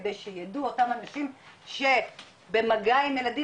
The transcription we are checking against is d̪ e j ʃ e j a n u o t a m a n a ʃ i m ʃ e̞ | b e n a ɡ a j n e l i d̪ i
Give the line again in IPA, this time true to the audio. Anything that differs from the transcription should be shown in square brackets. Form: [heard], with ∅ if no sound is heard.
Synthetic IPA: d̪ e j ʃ e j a [d] u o t a m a n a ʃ i m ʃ e̞ | b e [m] a ɡ a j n e l [a] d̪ i